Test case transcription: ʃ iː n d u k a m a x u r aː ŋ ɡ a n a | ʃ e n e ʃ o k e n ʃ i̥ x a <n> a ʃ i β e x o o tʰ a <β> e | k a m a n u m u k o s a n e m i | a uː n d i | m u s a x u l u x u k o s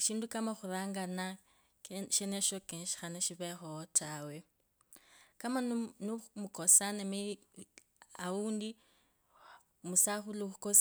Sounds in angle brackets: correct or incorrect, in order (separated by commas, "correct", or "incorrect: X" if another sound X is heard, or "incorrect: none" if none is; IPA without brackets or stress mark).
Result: correct, incorrect: w